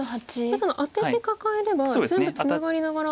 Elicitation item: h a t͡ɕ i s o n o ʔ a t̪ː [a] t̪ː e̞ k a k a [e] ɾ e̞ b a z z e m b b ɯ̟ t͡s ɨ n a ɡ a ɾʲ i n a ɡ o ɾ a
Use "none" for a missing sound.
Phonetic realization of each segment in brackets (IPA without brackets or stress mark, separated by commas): e, e